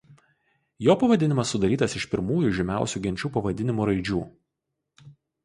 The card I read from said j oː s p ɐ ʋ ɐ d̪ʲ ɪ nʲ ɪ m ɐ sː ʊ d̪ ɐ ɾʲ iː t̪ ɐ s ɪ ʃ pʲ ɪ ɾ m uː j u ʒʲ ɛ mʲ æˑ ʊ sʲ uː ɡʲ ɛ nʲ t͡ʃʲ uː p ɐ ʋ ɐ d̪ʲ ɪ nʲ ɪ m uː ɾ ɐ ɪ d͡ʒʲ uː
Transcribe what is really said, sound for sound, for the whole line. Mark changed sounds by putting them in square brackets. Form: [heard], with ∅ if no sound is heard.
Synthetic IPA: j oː [∅] p ɐ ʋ ɐ d̪ʲ ɪ nʲ ɪ m ɐ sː ʊ d̪ ɐ ɾʲ iː t̪ ɐ s ɪ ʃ pʲ ɪ ɾ m uː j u ʒʲ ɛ mʲ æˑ ʊ sʲ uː ɡʲ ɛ nʲ t͡ʃʲ uː p ɐ ʋ ɐ d̪ʲ ɪ nʲ ɪ m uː ɾ ɐ ɪ d͡ʒʲ uː